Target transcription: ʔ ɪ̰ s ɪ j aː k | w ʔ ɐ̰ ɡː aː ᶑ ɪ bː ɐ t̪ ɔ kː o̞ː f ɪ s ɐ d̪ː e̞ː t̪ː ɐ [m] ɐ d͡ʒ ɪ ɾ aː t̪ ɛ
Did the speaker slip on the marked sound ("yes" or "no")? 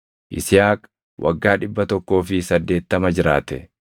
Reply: no